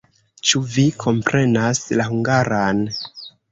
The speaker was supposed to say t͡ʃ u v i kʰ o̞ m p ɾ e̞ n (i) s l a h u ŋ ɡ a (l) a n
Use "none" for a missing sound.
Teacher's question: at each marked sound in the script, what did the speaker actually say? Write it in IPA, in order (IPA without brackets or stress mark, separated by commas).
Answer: a, ɾ